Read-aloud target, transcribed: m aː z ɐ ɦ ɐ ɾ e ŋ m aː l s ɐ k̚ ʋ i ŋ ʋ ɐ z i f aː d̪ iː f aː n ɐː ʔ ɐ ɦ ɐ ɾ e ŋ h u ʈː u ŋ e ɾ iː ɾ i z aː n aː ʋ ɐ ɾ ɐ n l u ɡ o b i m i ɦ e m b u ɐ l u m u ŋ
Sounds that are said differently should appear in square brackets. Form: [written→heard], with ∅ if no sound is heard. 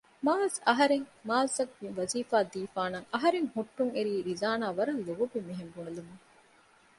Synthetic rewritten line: m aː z ɐ ɦ ɐ ɾ e ŋ m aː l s ɐ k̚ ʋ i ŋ ʋ ɐ z [i→iː] f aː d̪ iː f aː n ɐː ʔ ɐ ɦ ɐ ɾ e ŋ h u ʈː u ŋ e ɾ iː ɾ i z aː n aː ʋ ɐ ɾ ɐ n l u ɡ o b i m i ɦ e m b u ɐ l u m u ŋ

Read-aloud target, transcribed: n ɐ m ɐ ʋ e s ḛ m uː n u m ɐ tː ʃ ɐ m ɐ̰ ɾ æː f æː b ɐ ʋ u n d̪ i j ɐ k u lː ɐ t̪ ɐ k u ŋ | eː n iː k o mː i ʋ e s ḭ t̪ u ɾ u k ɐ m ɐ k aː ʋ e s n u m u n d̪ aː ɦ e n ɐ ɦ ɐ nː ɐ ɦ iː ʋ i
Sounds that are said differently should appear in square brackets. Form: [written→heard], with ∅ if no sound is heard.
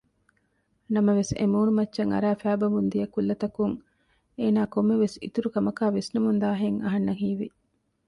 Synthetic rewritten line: n ɐ m ɐ ʋ e s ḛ m uː n u m ɐ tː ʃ ɐ [m→ŋ] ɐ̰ ɾ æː f æː b ɐ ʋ u n d̪ i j ɐ k u lː ɐ t̪ ɐ k u ŋ | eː n [iː→aː] k o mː [i→e] ʋ e s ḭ t̪ u ɾ u k ɐ m ɐ k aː ʋ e s n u m u n d̪ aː ɦ e [n→ŋ] ɐ ɦ ɐ nː ɐ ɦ iː ʋ i

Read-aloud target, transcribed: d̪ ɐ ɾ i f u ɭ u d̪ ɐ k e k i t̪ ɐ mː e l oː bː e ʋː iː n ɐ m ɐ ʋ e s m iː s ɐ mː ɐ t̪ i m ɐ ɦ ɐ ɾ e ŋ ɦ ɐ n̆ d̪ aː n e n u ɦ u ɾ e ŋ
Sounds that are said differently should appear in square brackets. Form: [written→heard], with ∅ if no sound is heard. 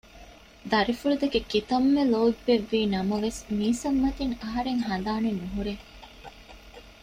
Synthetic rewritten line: d̪ ɐ ɾ i f u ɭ u d̪ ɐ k e k i t̪ ɐ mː e l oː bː e ʋː iː n ɐ m ɐ ʋ e s m iː s ɐ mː ɐ t̪ i [m→ŋ] ɐ ɦ ɐ ɾ e ŋ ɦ ɐ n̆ d̪ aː n e n u ɦ u ɾ e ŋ

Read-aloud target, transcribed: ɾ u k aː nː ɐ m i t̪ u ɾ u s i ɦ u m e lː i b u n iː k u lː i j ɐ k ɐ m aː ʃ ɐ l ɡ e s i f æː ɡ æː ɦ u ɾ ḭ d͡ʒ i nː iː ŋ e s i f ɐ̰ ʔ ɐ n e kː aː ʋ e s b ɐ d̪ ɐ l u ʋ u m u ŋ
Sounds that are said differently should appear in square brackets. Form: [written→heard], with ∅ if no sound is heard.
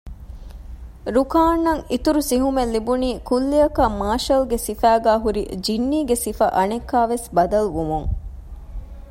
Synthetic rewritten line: ɾ u k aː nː ɐ [m→ŋ] i t̪ u ɾ u s i ɦ u m e lː i b u n iː k u lː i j ɐ k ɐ m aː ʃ ɐ l ɡ e s i f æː ɡ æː ɦ u ɾ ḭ d͡ʒ i nː iː [ŋ→ɡ] e s i f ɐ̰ ʔ ɐ n e kː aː ʋ e s b ɐ d̪ ɐ l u ʋ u m u ŋ

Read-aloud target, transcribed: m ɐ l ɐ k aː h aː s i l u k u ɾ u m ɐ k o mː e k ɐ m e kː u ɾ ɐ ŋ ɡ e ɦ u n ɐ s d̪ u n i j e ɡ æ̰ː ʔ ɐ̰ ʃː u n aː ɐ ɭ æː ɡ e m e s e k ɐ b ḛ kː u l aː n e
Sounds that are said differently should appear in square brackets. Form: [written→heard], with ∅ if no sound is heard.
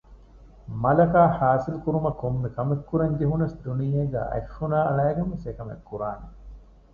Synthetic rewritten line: m ɐ l ɐ k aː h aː s i l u k u ɾ u m ɐ k o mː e k ɐ m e kː u ɾ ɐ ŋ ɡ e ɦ u n ɐ s d̪ u n i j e ɡ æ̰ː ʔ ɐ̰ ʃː u n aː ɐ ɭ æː ɡ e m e s e k ɐ [b→m] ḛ kː u [l→ɾ] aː n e

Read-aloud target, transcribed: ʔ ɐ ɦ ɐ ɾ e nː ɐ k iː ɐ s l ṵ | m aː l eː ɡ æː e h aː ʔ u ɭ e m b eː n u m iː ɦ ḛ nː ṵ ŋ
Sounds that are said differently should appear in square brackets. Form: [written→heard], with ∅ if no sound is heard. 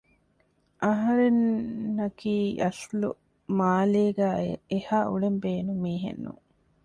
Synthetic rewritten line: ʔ ɐ ɦ ɐ ɾ e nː ɐ k iː ɐ s l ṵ | m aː l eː ɡ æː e h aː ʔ u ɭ e m b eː n u m iː ɦ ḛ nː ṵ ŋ

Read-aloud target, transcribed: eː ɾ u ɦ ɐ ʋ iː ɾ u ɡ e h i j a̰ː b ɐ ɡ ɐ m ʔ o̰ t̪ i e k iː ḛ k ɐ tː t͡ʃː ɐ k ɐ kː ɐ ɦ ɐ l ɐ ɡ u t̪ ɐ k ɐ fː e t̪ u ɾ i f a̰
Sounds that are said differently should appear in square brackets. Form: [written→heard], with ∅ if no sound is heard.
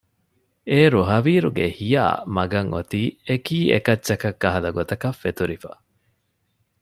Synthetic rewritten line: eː ɾ u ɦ ɐ ʋ iː ɾ u ɡ e h i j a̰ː [b→m] ɐ ɡ ɐ [m→ŋ] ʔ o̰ t̪ [i→iː] e k iː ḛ k ɐ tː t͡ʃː ɐ k ɐ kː ɐ ɦ ɐ l ɐ ɡ [u→o] t̪ ɐ k ɐ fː e t̪ u ɾ i f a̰

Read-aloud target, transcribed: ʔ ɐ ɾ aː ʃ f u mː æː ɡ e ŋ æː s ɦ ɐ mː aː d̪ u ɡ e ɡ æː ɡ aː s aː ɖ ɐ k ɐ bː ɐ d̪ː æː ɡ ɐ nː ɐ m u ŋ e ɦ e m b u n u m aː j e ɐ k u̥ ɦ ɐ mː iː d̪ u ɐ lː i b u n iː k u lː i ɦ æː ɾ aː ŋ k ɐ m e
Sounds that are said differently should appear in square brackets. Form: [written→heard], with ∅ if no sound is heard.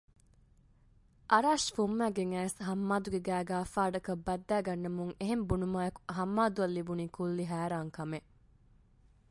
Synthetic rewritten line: ʔ ɐ ɾ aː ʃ f u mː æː ɡ e ŋ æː s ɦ ɐ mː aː d̪ u ɡ e ɡ æː ɡ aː [s→f] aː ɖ ɐ k ɐ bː ɐ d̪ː æː ɡ ɐ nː ɐ m u ŋ e ɦ e m b u n u m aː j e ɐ k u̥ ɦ ɐ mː [iː→aː] d̪ u ɐ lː i b u n iː k u lː i ɦ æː ɾ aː ŋ k ɐ m e

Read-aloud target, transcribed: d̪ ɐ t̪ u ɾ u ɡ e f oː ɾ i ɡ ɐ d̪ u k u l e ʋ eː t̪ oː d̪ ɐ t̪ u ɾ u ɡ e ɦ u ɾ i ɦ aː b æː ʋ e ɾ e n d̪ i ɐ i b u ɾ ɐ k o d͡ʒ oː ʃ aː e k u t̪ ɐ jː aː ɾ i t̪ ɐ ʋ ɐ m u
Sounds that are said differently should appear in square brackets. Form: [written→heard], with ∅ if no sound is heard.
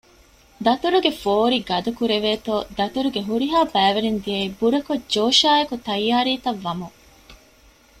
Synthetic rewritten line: d̪ ɐ t̪ u ɾ u ɡ e f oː ɾ i ɡ ɐ d̪ u k u [l→ɾ] e ʋ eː t̪ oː d̪ ɐ t̪ u ɾ u ɡ e ɦ u ɾ i ɦ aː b æː ʋ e ɾ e n d̪ i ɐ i b u ɾ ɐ k o d͡ʒ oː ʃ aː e k u t̪ ɐ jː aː ɾ [i→iː] t̪ ɐ [ʋ→ʋː] ɐ m u

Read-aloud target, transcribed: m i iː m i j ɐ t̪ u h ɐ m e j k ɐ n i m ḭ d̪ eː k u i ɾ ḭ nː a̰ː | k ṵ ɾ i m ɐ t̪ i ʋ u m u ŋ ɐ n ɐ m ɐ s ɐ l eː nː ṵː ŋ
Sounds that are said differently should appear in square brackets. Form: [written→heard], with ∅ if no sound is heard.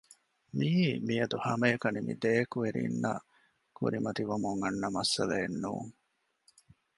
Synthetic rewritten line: m i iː m i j ɐ [t̪→d̪] u h ɐ m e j k ɐ n i m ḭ d̪ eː k u [i→e] ɾ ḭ nː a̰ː | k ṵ ɾ i m ɐ t̪ i ʋ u m u ŋ ɐ [n→nː] ɐ m ɐ s ɐ l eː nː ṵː ŋ

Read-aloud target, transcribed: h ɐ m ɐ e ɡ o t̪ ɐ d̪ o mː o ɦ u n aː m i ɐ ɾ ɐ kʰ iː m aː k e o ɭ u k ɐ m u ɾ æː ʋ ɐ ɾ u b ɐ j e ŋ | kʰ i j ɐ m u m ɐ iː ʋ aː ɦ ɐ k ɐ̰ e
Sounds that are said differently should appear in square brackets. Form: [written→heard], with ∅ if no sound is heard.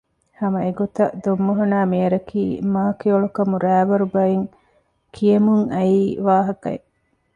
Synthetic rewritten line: h ɐ m ɐ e ɡ o t̪ ɐ d̪ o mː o ɦ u n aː m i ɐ ɾ ɐ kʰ iː m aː k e o ɭ u k ɐ m u ɾ æː ʋ ɐ ɾ u b ɐ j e ŋ | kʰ i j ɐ m u [m→ŋ] ɐ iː ʋ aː ɦ ɐ k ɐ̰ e

